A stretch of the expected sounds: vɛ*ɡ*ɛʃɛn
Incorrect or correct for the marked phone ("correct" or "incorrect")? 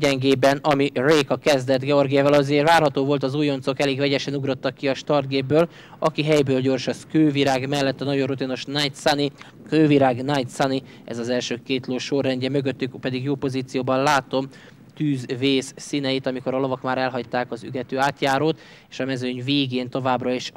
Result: incorrect